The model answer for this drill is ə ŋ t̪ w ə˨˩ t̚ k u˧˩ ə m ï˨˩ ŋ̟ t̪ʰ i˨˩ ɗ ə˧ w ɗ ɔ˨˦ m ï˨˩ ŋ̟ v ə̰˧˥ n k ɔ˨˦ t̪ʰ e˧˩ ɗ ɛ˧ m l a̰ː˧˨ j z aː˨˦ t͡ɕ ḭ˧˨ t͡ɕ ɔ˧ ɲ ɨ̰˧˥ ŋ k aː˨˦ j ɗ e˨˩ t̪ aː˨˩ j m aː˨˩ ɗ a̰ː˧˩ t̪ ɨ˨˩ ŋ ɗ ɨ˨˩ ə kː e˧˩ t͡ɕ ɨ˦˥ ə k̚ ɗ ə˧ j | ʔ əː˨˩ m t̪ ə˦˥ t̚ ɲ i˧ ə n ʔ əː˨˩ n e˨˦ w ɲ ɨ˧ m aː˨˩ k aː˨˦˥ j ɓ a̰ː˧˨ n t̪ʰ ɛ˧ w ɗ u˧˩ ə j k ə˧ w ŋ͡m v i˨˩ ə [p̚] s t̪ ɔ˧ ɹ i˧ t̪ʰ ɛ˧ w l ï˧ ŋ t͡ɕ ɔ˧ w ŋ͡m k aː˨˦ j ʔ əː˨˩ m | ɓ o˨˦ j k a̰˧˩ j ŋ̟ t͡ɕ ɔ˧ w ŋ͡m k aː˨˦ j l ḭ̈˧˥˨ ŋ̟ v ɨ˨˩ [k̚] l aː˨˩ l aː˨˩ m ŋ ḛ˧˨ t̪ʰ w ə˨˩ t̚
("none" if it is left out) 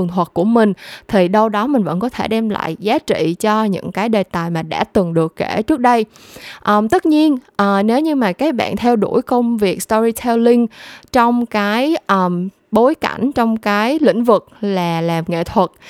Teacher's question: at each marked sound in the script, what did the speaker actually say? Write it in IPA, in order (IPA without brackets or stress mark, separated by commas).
k̚, k̚